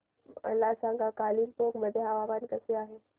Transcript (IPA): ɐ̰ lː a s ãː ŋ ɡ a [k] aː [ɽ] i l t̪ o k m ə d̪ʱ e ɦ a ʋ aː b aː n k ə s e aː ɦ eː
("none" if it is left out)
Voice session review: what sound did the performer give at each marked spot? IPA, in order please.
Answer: k, l

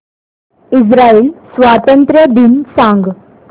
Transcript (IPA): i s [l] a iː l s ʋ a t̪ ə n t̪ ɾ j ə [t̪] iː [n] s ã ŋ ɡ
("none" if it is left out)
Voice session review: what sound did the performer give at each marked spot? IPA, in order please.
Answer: ɾ, d̪, n

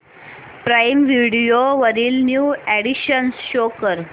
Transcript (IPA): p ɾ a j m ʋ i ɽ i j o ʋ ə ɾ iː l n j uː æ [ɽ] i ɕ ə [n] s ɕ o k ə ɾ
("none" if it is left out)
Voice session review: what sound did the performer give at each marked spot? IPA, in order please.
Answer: ɽ, n

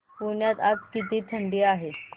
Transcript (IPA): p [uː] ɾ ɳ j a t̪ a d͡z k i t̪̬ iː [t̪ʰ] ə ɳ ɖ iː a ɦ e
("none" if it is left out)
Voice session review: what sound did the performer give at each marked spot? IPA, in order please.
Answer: u, t̪ʰ

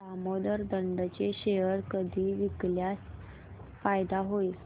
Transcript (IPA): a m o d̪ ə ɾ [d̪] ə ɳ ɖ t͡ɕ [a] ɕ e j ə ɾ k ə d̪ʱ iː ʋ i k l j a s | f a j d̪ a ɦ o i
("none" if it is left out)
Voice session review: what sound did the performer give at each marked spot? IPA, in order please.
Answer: d̪, e

